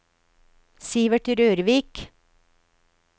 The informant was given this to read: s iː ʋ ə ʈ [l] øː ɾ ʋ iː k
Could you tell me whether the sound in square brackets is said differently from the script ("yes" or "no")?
yes